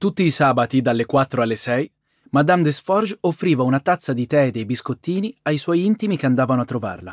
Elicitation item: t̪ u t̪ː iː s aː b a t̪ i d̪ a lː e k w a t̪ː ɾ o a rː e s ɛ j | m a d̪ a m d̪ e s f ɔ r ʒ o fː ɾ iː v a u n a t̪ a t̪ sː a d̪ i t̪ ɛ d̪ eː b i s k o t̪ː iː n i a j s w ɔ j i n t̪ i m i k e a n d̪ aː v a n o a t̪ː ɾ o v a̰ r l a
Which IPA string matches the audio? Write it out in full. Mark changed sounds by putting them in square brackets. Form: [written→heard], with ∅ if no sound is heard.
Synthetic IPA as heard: t̪ u t̪ː iː s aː b a t̪ i d̪ a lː e k w a t̪ː ɾ o a [rː→lː] e s ɛ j | m a d̪ a m d̪ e s f ɔ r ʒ o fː ɾ iː v a u n a t̪ a t̪ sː a d̪ i t̪ ɛ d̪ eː b i s k o t̪ː iː n i a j s w ɔ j i n t̪ i m i k e a n d̪ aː v a n o a t̪ː ɾ o v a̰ r l a